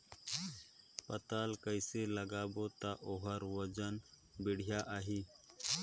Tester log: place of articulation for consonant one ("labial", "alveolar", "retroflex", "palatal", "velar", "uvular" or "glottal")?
labial